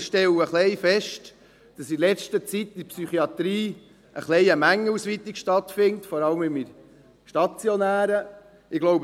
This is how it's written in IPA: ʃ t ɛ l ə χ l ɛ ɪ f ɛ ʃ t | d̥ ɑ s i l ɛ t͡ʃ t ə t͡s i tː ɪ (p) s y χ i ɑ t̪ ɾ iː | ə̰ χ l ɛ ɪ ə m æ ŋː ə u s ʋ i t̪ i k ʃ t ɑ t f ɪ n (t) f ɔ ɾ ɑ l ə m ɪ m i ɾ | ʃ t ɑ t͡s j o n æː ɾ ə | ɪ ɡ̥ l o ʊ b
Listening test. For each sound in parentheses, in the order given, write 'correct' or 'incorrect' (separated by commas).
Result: correct, correct